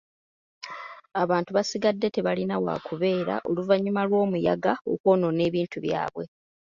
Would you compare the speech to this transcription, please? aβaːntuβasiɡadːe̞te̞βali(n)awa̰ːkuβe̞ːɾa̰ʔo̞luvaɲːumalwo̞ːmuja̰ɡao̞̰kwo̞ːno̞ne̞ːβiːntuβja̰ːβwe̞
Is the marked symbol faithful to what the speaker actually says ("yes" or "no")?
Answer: yes